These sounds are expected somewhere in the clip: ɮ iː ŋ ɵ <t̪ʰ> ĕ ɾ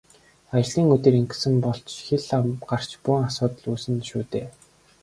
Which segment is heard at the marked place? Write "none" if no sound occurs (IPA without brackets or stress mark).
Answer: t̪